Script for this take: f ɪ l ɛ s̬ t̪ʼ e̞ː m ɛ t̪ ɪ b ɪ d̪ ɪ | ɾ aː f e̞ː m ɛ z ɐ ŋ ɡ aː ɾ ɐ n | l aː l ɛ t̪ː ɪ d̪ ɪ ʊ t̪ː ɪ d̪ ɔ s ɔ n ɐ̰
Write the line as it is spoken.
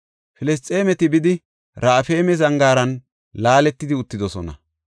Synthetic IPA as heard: f ɪ l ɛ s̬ t̪ʼ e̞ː m ɛ t̪ ɪ b ɪ d̪ ɪ | ɾ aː f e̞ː m ɛ z ɐ ŋ ɡ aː ɾ ɐ n | l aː l ɛ t̪ː ɪ d̪ ɪ ʊ t̪ː ɪ d̪ ɔ s ɔ n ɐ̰